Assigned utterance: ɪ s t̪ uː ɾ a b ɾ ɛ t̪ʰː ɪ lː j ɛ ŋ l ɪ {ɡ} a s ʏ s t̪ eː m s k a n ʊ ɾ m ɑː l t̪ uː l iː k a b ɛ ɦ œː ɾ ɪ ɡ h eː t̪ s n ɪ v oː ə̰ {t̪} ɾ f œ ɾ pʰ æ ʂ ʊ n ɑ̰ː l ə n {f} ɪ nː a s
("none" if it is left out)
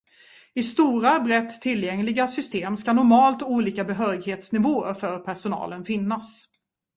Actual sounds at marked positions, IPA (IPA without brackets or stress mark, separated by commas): ɡ, none, f